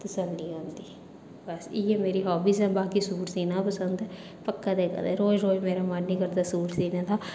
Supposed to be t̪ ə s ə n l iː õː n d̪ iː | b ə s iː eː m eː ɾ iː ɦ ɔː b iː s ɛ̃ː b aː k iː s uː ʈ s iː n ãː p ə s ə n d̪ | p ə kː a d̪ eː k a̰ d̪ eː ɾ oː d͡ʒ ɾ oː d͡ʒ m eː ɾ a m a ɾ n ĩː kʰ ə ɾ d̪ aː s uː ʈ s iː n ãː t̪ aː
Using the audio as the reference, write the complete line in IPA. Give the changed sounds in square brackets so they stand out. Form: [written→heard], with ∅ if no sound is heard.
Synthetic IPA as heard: t̪ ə s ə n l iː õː n d̪ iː | b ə s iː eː m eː ɾ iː ɦ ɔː b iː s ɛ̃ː b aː k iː s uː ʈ s iː n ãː p ə s ə n d̪ | p ə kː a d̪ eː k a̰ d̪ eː ɾ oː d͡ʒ ɾ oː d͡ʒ m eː ɾ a m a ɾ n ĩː [kʰ→k] ə ɾ d̪ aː s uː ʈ s iː n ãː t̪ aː